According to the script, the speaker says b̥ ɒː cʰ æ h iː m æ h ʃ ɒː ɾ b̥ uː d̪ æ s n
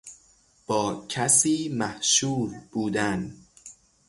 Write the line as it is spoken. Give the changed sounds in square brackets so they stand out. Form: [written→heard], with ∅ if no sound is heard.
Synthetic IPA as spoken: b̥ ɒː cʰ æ [h→s] iː m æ h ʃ [ɒː→uː] ɾ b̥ uː d̪ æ [s→∅] n